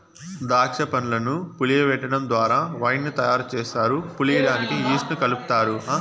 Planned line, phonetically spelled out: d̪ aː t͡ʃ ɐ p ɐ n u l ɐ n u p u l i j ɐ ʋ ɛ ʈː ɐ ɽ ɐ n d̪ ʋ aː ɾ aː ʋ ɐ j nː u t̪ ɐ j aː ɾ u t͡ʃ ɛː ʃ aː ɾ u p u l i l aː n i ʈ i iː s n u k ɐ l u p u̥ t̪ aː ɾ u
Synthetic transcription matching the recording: d̪ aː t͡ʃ ɐ p ɐ n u l ɐ n u p u l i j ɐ ʋ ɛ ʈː ɐ ɽ ɐ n d̪ ʋ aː ɾ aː ʋ ɐ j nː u t̪ ɐ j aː ɾ u t͡ʃ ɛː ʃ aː ɾ u p u l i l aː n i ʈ i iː s n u k ɐ l u p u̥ t̪ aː ɾ u